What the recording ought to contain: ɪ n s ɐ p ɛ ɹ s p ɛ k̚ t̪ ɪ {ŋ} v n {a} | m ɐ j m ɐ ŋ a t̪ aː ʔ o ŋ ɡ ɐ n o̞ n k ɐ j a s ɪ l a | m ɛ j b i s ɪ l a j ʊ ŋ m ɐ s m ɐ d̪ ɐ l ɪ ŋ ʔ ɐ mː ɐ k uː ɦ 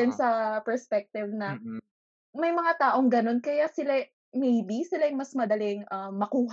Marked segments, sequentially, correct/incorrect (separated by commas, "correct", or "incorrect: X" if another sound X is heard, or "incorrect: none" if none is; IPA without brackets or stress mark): incorrect: none, incorrect: ɐ